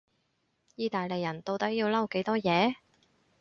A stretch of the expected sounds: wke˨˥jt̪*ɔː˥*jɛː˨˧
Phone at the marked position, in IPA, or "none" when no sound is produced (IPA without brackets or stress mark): ɔː˥